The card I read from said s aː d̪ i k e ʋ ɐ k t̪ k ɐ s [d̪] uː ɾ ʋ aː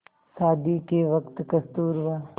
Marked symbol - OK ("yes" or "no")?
no